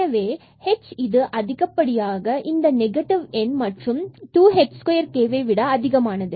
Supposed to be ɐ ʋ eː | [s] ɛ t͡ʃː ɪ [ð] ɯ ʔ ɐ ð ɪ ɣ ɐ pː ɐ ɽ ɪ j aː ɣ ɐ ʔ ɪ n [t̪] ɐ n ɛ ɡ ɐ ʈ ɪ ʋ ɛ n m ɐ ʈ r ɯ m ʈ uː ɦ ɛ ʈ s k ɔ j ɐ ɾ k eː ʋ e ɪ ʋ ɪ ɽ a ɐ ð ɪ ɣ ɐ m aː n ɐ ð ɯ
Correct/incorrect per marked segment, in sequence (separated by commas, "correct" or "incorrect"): incorrect, correct, incorrect